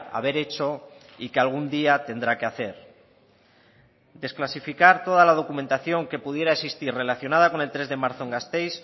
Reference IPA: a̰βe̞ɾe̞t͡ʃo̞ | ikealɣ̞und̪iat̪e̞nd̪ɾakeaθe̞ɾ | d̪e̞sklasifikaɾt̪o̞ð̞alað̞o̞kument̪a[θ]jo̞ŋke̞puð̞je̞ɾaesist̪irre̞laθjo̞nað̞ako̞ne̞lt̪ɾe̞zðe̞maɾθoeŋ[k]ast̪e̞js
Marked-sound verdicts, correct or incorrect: correct, incorrect: ɡ

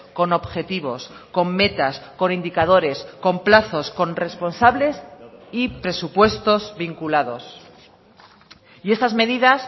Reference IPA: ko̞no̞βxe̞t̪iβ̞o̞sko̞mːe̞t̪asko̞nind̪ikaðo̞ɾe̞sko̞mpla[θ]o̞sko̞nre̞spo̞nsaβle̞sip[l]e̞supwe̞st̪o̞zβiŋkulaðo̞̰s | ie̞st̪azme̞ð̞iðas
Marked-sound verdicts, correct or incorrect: correct, incorrect: ɾ

